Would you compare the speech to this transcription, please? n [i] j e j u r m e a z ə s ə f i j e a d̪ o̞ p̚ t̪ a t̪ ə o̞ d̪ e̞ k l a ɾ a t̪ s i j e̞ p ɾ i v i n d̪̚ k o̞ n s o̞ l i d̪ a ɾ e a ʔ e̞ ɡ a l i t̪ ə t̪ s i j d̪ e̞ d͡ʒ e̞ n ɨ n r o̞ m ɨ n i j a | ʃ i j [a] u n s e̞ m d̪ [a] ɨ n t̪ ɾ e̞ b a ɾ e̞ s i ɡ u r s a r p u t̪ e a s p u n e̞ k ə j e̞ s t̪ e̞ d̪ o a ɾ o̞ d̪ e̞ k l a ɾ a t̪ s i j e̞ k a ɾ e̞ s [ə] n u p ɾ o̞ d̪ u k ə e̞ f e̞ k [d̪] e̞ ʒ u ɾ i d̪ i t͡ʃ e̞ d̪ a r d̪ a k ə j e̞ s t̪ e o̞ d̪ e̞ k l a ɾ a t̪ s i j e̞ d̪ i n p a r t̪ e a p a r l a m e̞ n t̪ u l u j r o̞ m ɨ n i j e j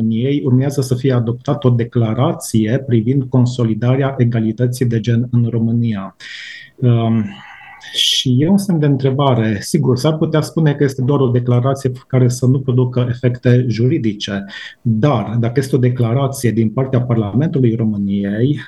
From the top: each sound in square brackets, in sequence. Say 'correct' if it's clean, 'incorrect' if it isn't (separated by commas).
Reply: correct, incorrect, incorrect, correct, incorrect